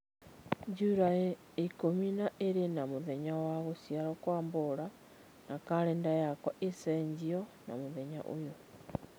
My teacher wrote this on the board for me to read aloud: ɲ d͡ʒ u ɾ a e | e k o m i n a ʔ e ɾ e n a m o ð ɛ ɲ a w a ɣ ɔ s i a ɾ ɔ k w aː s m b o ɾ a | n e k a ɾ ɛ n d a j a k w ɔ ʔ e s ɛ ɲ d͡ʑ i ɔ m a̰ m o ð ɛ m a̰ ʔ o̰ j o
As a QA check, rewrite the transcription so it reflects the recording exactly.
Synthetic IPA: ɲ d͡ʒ u ɾ a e | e k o m i n a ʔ e ɾ e n a m o ð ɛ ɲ a w a ɣ o s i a ɾ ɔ k w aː m b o ɾ a | n a k a ɾ ɛ n d a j a k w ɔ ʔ e s ɛ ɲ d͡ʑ i ɔ n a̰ m o ð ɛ ɲ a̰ ʔ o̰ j o